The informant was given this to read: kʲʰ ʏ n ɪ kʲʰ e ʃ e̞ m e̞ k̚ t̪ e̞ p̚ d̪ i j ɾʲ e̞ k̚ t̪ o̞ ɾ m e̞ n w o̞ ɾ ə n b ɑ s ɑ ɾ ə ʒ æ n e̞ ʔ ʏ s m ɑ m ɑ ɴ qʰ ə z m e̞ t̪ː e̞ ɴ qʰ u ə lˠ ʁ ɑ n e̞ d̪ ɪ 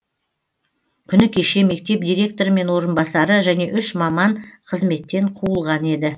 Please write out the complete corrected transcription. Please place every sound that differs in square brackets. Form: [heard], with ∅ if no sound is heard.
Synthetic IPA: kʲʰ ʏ n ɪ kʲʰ e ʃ e̞ m e̞ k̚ t̪ e̞ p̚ d̪ i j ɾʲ e̞ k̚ t̪ o̞ ɾ m e̞ n w o̞ ɾ ə n b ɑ s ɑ ɾ ə ʒ æ n e̞ ʔ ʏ [ʃ] m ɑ m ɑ ɴ qʰ ə z m e̞ t̪ː e̞ ɴ qʰ u ə lˠ ʁ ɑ n e̞ d̪ ɪ